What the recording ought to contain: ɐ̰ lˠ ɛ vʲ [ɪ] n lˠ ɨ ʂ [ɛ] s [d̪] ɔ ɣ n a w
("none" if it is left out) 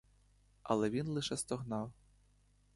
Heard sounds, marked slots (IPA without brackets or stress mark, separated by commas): i, ɛ, t̪